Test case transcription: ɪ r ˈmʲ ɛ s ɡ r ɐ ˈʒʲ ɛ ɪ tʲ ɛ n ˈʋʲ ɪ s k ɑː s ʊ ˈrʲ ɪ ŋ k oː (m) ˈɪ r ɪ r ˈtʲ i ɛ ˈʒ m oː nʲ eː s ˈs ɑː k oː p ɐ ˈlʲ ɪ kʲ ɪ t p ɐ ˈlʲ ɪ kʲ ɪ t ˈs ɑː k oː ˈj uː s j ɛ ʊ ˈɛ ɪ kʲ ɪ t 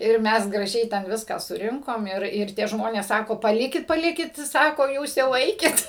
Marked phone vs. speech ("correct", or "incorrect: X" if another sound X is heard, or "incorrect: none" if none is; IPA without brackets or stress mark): correct